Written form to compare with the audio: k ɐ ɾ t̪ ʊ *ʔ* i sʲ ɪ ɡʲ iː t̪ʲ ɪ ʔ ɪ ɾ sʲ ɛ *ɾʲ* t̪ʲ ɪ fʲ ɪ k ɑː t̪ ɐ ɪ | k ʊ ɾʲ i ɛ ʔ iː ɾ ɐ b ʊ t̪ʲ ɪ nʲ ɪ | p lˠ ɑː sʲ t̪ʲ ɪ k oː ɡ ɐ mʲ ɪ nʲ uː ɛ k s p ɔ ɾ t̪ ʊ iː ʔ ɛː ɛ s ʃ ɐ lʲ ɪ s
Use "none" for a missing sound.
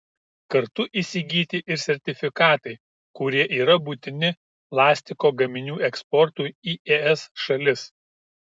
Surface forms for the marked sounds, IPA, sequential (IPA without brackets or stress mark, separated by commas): ʔ, ɾʲ